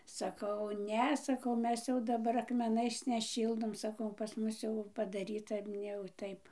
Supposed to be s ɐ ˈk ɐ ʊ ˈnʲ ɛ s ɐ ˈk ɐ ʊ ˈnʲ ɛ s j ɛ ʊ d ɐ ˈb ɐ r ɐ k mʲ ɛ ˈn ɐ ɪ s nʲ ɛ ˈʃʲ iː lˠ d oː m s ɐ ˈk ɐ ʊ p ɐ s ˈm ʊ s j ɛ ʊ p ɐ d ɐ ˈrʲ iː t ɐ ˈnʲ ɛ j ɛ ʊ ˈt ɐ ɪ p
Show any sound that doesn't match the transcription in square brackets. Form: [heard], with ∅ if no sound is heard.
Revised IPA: s ɐ ˈk ɐ ʊ ˈnʲ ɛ s ɐ ˈk ɐ ʊ [ˈmʲ] ɛ s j ɛ ʊ d ɐ ˈb ɐ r ɐ k mʲ ɛ ˈn ɐ ɪ s nʲ ɛ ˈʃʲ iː lˠ d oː m s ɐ ˈk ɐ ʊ p ɐ s ˈm ʊ s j ɛ ʊ p ɐ d ɐ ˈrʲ iː t ɐ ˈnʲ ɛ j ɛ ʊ ˈt ɐ ɪ p